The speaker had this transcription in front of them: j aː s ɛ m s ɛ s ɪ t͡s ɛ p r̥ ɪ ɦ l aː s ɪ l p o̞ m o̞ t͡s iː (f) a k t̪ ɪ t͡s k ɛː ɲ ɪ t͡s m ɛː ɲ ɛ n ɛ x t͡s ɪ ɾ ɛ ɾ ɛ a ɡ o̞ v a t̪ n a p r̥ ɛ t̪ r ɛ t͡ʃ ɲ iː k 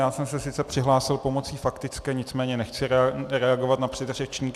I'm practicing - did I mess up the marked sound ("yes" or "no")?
no